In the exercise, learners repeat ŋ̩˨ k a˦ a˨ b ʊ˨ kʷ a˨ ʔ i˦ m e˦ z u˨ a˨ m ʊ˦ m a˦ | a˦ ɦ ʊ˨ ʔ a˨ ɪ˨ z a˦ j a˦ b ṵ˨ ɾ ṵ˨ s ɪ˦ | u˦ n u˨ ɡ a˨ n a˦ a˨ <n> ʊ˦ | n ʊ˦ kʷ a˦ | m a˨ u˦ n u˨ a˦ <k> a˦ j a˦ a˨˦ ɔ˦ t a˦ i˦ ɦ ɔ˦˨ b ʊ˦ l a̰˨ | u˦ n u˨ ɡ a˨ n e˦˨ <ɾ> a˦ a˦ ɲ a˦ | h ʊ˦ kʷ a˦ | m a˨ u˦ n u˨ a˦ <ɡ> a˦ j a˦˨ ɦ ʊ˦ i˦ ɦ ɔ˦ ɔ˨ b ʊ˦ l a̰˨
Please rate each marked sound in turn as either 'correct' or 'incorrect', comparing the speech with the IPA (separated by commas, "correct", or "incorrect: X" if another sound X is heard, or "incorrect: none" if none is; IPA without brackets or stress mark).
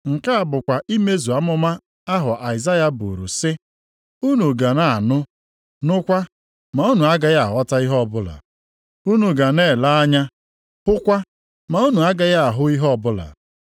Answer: correct, incorrect: ɡ, incorrect: l, correct